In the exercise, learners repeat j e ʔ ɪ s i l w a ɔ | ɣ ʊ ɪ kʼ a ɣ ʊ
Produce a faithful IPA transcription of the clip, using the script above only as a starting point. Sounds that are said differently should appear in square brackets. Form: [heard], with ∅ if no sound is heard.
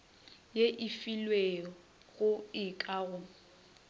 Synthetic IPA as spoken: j e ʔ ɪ [f] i l w [e] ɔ | ɣ ʊ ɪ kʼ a ɣ ʊ

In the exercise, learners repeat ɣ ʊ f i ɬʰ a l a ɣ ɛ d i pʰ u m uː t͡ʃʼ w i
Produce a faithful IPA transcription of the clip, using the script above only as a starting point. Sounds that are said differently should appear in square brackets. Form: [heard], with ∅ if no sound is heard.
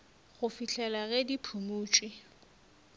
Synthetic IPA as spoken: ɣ ʊ f i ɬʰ [ɛ] l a ɣ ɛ d i pʰ u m uː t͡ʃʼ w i

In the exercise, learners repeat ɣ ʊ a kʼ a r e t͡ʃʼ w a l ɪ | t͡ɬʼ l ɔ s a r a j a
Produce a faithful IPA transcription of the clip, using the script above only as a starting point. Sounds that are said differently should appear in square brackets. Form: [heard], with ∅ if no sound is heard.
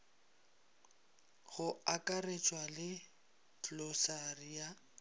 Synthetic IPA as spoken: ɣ ʊ a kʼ a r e t͡ʃʼ w a l ɪ | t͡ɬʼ l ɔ s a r [i] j a

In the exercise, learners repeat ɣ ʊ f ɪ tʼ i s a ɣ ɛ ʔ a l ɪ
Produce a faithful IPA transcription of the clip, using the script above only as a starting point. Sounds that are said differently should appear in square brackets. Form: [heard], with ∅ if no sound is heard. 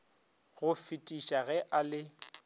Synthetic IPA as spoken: ɣ ʊ f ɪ tʼ i [ʃ] a ɣ ɛ ʔ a l ɪ

